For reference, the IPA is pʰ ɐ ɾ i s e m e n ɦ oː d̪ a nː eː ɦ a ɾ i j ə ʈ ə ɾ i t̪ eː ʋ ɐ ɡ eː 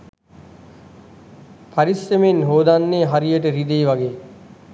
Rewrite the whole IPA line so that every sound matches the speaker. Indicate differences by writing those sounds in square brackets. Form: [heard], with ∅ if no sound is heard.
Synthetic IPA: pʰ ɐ ɾ i s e m e n ɦ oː d̪ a nː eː ɦ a ɾ i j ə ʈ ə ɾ i [d̪] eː ʋ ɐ ɡ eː